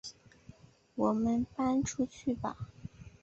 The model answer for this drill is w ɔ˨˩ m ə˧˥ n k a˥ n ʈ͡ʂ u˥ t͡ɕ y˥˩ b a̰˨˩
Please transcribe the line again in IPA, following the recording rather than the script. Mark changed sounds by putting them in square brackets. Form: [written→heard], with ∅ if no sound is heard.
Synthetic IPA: w ɔ˨˩ m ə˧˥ n [k→p] a˥ n [ʈ͡ʂ→ʈ͡ʂʰ] u˥ [t͡ɕ→t͡ɕʰ] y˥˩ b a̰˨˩